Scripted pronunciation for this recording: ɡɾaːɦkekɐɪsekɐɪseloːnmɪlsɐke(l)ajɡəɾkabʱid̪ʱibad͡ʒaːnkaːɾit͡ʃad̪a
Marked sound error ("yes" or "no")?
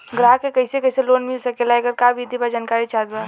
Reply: no